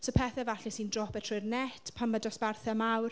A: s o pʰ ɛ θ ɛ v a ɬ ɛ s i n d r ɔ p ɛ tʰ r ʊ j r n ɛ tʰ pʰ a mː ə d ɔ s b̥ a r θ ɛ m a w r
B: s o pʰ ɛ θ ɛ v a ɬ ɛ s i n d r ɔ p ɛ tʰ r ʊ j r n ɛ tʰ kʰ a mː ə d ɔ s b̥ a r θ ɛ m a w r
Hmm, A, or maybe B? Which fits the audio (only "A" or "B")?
A